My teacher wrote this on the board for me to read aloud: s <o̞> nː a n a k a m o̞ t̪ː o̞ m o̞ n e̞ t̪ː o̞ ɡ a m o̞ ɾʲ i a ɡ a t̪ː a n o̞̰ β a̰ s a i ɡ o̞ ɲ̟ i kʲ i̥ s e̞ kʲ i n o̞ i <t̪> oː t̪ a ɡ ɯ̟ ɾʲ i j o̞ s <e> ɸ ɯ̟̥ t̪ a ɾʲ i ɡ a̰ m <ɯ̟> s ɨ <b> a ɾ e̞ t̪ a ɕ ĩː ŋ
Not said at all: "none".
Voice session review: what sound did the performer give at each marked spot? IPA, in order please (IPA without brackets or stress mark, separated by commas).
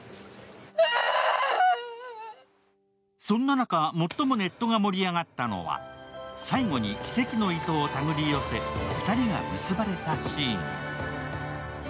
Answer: õ̞, t̪, e, ɯ̟, b